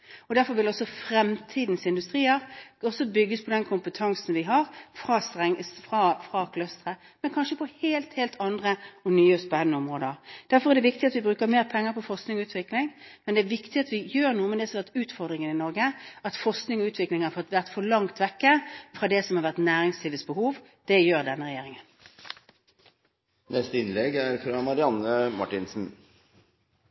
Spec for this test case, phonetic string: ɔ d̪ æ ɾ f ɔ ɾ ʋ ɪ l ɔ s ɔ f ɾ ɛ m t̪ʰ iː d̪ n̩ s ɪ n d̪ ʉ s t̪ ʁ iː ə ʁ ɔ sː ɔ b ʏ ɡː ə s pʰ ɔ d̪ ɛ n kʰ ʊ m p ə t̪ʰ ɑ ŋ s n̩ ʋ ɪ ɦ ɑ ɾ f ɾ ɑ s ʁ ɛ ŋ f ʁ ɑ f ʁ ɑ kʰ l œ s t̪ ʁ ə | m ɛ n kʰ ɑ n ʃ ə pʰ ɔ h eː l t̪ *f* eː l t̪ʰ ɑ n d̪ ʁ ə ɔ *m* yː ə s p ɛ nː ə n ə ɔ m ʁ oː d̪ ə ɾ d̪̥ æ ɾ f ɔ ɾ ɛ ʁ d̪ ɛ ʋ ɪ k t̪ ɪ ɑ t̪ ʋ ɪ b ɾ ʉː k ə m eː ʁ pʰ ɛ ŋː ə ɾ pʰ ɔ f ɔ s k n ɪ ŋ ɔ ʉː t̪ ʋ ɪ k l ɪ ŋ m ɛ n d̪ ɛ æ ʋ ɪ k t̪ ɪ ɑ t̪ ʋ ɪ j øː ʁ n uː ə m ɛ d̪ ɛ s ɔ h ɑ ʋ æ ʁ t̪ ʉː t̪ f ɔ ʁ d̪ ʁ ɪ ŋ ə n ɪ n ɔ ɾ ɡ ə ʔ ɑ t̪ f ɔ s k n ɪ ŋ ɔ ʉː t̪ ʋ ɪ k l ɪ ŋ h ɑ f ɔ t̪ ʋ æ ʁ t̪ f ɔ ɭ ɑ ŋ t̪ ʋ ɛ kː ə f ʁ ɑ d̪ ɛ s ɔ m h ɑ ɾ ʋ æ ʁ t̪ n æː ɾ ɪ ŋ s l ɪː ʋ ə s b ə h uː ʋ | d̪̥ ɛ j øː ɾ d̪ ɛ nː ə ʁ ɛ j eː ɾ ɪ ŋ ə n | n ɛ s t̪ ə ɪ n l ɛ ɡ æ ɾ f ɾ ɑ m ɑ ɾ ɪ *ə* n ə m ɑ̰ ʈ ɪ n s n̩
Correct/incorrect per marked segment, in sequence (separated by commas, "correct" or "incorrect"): incorrect, incorrect, incorrect